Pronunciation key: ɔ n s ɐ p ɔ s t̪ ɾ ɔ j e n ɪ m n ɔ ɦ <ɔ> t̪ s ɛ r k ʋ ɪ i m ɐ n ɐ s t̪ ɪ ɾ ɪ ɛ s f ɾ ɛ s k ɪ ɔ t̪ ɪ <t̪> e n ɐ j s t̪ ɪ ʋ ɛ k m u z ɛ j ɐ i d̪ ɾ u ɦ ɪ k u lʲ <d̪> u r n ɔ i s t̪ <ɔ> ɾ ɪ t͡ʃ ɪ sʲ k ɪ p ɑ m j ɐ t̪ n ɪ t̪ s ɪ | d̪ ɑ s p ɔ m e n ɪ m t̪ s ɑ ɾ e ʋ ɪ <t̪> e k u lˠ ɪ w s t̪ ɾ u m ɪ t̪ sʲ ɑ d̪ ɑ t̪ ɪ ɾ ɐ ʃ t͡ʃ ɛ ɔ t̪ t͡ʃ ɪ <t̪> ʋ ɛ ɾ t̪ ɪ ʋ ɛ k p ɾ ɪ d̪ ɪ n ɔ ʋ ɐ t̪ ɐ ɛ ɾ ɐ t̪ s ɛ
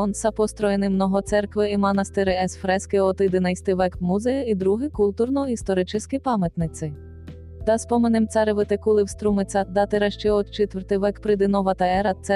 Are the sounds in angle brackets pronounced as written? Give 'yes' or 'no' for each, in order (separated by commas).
yes, no, no, yes, yes, yes